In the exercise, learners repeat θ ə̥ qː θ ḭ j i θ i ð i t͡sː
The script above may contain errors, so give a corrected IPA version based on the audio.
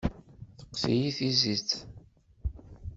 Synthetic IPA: θ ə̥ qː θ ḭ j i θ i z i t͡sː